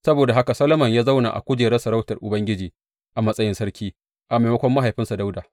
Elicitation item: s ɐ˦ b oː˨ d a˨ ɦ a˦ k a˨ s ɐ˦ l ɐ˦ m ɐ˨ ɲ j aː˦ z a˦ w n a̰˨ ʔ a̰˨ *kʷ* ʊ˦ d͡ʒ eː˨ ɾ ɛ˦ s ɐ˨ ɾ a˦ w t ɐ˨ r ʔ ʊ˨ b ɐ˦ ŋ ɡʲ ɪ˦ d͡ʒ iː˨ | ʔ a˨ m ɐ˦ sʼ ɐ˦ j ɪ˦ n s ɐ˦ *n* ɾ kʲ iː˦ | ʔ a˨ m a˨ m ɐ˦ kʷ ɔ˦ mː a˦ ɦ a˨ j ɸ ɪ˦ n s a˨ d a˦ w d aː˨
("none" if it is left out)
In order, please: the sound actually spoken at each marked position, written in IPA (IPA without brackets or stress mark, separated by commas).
kʷ, none